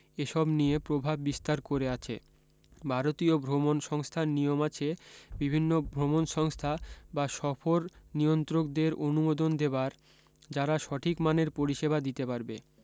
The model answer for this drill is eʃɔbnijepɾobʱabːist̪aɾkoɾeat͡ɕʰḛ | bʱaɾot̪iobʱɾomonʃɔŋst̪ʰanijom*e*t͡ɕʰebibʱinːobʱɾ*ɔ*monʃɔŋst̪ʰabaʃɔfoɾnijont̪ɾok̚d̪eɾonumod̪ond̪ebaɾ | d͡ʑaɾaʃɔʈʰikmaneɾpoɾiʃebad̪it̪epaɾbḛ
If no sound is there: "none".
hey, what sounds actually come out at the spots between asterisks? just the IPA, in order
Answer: a, o

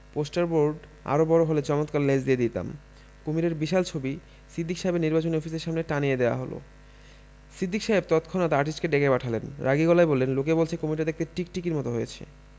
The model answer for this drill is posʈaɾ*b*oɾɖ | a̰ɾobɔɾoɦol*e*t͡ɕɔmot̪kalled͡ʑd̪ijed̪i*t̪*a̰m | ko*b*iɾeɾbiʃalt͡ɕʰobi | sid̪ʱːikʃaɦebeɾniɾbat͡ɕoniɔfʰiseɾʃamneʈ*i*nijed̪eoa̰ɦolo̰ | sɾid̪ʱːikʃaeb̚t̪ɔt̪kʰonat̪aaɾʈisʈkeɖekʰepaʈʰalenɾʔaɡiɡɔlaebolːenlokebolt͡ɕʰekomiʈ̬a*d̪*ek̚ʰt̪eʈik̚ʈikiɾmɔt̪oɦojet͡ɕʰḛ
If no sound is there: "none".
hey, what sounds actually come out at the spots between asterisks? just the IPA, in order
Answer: b, e, t̪, m, a, d̪

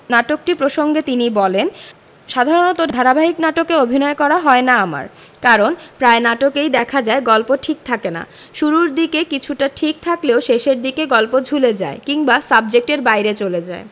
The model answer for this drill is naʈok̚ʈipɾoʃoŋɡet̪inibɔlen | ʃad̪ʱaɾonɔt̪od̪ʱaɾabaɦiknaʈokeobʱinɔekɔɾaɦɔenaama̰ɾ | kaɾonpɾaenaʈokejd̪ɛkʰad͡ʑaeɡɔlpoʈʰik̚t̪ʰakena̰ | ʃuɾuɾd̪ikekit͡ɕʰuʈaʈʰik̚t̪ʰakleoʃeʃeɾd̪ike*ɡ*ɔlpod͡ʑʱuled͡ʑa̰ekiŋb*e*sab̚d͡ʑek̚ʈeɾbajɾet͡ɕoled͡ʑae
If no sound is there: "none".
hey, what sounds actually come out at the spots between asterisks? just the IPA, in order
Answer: ɡ, a

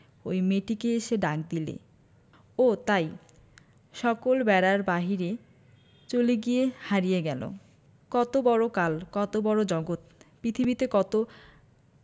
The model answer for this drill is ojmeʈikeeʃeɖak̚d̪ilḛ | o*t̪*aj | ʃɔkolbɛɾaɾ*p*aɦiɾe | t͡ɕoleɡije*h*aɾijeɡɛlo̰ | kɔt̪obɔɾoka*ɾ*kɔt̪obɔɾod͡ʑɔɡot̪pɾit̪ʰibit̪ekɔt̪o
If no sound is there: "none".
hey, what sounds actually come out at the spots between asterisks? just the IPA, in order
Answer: t̪, b, h, l

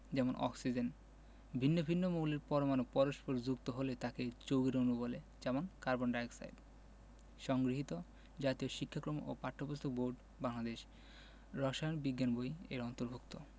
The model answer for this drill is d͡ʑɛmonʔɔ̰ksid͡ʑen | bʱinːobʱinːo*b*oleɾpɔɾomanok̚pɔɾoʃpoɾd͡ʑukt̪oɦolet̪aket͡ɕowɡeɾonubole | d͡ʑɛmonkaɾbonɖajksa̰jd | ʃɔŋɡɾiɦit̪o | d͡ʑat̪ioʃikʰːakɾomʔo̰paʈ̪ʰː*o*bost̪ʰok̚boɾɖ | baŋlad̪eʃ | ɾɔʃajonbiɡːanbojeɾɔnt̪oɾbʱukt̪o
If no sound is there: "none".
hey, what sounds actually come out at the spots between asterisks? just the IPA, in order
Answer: m, o

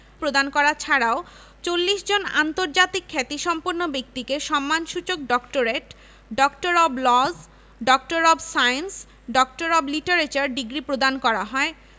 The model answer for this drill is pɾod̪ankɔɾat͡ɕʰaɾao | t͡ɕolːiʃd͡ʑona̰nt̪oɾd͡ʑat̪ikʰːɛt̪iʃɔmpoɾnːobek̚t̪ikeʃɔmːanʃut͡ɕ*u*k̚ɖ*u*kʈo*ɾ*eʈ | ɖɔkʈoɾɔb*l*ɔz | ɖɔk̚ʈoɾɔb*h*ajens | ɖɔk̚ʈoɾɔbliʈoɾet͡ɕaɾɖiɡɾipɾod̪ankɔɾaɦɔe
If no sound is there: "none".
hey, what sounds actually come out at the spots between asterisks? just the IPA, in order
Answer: o, ɔ, ɾ, l, s

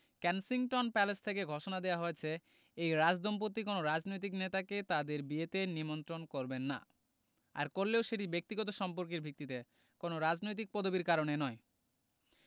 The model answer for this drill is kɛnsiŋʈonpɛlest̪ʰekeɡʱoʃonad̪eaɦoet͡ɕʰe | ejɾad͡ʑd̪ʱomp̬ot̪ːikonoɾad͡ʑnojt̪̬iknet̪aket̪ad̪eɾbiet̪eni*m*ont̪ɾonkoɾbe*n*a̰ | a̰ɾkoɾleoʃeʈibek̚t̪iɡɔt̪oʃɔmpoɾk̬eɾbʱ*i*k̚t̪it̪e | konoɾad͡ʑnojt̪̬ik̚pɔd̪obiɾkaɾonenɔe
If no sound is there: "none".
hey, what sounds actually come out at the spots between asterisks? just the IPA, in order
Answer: m, nː, i

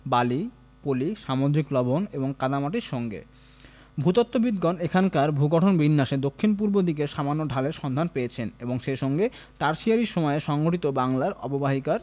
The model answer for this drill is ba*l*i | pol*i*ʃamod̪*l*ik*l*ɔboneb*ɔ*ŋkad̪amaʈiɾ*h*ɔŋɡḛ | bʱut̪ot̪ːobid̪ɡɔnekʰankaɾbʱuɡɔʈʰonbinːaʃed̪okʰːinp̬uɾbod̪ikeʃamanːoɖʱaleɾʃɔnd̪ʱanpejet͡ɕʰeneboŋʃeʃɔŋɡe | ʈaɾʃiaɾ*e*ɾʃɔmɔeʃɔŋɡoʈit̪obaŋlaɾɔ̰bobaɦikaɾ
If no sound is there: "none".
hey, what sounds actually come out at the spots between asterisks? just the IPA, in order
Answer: l, i, ɾ, l, o, ʃ, i

